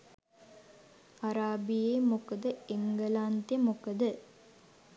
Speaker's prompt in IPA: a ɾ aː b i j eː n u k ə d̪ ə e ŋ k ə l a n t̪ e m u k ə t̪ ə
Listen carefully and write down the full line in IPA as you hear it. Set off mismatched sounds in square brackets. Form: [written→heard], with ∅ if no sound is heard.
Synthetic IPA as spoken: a ɾ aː b i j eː [n→m] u k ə d̪ ə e ŋ [k→ɡ] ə l a n t̪ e m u k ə [t̪→d̪] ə